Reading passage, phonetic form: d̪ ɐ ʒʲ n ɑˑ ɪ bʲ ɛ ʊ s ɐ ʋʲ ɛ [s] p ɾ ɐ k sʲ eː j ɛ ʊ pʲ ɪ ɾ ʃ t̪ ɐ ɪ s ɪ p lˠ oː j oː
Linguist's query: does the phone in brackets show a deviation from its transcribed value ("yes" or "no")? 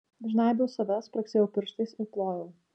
no